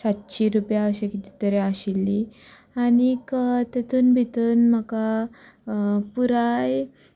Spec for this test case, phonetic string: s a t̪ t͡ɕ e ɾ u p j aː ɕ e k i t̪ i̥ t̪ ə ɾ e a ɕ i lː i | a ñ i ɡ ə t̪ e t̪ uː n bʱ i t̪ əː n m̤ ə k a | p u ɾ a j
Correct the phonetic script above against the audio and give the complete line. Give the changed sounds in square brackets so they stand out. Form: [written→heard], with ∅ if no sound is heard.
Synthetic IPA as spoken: s a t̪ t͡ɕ [e→i] ɾ u p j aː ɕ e k i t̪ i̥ t̪ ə ɾ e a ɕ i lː i | a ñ i [ɡ→k] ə t̪ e t̪ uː n bʱ i t̪ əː n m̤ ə k a | p u ɾ a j